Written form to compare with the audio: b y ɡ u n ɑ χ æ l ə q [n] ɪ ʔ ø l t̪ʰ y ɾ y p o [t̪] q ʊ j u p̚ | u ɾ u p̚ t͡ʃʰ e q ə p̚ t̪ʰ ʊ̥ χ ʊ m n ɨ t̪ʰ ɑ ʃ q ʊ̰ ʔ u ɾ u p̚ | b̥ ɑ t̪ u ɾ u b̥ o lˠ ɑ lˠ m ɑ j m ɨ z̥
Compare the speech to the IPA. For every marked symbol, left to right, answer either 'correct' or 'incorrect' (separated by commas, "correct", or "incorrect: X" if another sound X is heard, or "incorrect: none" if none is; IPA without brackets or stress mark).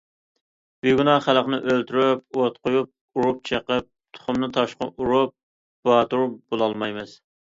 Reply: correct, correct